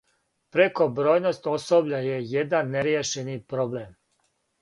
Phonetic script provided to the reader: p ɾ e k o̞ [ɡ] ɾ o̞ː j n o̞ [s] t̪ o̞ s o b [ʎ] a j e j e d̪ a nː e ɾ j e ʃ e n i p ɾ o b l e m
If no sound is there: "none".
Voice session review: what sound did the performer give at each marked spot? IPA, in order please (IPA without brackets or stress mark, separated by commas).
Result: b, s, ʎ